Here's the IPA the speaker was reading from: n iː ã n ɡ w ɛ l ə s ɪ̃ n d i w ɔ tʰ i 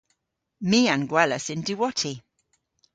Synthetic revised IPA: m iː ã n ɡ w ɛ l ə s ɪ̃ n d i w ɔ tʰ i